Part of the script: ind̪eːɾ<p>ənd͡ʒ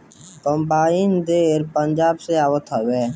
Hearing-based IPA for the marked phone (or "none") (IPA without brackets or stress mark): p